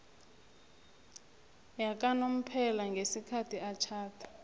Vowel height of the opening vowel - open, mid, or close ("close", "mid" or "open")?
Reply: open